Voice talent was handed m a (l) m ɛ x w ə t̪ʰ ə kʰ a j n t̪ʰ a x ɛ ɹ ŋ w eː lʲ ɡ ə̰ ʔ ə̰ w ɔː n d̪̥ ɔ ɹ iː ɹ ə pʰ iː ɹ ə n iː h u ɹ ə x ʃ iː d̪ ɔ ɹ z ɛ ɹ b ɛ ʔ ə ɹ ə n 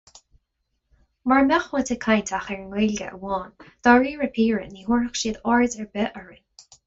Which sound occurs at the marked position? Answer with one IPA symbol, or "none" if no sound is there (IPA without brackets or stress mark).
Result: ɹ